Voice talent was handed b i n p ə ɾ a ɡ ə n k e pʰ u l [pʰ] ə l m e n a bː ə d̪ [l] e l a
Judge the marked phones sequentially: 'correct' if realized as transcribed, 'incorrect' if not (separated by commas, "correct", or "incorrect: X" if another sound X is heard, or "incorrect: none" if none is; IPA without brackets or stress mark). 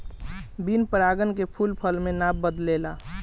correct, correct